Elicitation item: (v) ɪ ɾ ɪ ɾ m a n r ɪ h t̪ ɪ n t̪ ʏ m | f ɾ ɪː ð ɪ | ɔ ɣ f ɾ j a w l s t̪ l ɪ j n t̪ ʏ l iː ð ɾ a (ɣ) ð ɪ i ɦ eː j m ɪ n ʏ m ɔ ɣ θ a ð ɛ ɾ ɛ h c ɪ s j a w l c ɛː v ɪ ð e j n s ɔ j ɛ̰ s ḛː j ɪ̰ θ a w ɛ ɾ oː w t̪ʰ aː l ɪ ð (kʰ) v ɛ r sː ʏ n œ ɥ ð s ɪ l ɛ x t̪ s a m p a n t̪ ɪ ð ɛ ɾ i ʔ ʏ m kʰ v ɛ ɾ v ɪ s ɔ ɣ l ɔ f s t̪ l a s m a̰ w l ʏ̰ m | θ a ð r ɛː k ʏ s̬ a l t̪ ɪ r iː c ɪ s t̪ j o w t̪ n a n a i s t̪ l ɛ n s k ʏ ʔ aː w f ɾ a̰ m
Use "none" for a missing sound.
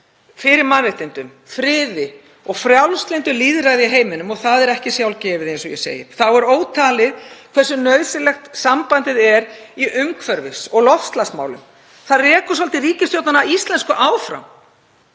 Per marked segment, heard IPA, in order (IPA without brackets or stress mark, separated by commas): f, ɣ, kʰ